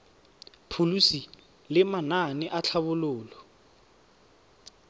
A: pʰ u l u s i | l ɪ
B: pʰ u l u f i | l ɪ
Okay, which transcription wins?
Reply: A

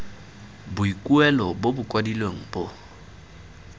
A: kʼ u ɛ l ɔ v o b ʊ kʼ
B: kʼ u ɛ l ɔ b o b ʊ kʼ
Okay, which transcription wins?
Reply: B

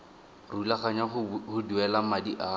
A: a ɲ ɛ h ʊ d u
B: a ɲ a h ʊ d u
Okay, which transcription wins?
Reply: B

